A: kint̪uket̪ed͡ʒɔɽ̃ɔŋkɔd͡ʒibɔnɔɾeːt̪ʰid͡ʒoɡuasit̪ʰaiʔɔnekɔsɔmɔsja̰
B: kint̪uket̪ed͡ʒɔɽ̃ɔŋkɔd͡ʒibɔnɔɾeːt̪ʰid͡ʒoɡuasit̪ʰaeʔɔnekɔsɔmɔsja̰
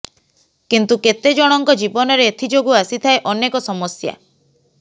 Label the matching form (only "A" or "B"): B